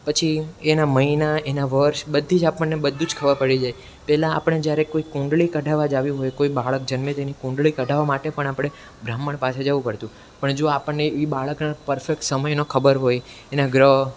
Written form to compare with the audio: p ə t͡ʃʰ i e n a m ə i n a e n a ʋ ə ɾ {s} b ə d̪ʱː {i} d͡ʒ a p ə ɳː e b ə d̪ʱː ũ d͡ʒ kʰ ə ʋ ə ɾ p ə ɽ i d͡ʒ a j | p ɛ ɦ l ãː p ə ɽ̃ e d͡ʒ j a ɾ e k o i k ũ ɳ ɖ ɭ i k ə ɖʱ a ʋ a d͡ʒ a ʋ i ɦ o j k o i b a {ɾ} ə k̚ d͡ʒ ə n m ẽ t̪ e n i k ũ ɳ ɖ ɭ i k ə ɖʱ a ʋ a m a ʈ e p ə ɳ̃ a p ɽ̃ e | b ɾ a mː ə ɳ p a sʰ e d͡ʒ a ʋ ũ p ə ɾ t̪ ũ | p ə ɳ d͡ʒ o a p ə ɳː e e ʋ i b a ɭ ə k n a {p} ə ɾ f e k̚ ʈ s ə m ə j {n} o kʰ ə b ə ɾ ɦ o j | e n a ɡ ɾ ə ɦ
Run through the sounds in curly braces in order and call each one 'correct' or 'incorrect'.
incorrect: ʃ, correct, incorrect: ɭ, correct, correct

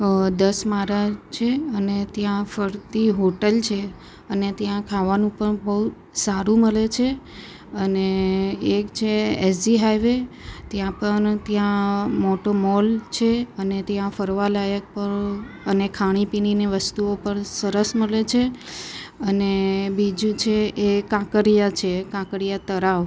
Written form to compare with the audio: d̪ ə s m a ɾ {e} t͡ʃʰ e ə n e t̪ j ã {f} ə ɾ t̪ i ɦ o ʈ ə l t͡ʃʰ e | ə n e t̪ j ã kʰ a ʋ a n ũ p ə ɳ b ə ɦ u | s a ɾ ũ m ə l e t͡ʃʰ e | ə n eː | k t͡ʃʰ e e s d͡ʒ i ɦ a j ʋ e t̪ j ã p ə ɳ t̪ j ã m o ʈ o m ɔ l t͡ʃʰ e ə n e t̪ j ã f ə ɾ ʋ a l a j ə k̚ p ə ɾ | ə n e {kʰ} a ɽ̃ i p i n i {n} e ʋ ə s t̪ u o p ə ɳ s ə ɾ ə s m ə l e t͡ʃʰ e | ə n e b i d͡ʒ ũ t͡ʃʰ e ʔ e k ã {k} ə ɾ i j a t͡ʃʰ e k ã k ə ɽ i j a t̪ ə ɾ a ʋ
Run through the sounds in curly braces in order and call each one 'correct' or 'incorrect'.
incorrect: a, correct, correct, correct, correct

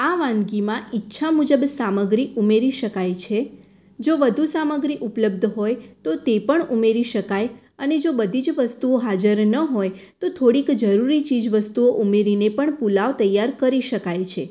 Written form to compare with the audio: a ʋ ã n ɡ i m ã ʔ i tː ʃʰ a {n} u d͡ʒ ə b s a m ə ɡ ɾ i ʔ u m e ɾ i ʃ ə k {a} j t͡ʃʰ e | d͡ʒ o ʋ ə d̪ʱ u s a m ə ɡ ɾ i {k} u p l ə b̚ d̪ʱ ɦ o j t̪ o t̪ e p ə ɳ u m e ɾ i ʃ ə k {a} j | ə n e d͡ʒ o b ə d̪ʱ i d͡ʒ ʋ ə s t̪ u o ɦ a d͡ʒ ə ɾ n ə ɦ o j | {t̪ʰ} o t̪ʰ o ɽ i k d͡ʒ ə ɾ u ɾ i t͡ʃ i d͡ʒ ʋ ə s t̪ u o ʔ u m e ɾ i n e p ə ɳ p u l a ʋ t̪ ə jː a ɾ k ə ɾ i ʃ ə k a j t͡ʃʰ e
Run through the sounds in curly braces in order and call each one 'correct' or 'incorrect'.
incorrect: m, correct, incorrect: ʔ, correct, incorrect: t̪

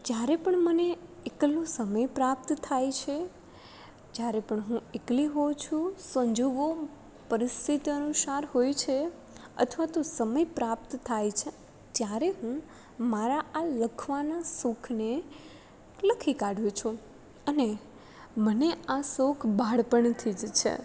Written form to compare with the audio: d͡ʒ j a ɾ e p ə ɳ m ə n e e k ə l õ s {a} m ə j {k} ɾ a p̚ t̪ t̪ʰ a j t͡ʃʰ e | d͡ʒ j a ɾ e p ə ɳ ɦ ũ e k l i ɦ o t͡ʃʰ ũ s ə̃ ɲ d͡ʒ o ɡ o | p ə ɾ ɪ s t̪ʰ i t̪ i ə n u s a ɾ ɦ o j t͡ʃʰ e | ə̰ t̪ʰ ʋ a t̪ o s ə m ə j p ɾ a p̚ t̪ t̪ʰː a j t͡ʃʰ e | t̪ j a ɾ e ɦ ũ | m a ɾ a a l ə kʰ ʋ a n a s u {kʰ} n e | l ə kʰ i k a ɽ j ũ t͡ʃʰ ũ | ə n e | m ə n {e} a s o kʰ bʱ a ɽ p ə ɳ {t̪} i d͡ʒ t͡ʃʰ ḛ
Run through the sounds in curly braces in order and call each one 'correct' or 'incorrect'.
incorrect: ə, incorrect: p, correct, correct, incorrect: t̪ʰ

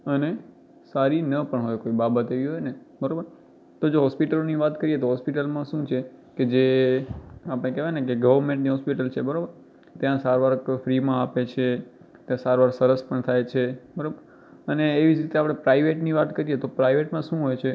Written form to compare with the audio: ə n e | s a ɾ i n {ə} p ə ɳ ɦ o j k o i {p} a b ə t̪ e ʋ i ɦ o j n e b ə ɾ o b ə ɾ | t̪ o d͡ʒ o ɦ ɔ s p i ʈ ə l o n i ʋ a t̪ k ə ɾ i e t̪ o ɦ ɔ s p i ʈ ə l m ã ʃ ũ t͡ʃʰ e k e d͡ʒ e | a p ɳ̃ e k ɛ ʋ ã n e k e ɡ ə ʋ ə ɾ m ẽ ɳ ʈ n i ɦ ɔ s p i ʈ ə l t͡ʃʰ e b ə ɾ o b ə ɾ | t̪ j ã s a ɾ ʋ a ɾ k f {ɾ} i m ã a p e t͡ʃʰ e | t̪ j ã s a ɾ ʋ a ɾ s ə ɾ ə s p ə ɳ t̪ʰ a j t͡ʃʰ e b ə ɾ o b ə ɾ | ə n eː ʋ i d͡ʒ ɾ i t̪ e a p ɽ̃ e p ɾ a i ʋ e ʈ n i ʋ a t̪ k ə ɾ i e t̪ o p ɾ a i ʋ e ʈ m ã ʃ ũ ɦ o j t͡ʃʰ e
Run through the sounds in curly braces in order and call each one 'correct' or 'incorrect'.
correct, incorrect: b, correct

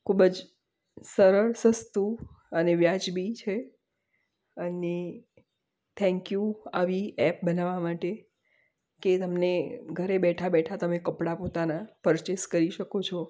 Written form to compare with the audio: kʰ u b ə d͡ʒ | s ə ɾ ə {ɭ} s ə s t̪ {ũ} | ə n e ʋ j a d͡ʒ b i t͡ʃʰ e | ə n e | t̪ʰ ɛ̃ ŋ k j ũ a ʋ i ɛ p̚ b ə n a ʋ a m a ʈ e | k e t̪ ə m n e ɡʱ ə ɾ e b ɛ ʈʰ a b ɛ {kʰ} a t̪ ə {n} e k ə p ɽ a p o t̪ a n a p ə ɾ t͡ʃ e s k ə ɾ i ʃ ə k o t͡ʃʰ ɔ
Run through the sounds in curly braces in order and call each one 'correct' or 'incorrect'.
correct, incorrect: u, incorrect: ʈʰ, incorrect: m

